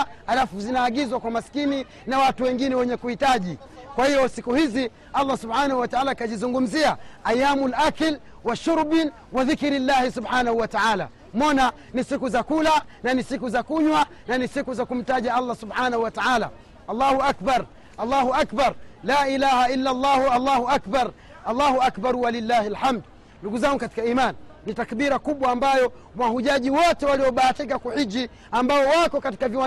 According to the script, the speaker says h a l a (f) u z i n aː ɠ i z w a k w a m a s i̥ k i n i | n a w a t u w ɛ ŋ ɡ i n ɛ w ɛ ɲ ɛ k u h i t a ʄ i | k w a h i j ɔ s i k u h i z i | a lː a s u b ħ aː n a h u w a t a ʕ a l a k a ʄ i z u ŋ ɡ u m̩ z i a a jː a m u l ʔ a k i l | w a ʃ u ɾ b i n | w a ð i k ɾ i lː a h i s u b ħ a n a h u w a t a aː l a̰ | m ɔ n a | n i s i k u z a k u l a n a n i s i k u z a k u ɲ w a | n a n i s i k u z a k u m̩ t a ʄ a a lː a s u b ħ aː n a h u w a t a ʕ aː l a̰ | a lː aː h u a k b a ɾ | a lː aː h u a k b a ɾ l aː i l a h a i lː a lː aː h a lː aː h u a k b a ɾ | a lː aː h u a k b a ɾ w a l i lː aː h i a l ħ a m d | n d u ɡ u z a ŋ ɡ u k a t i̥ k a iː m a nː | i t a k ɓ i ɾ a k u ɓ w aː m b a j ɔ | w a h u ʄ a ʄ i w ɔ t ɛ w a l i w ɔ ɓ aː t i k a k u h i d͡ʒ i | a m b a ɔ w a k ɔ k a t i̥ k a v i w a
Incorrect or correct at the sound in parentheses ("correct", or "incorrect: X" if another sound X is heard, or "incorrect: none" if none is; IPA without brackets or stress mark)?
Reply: correct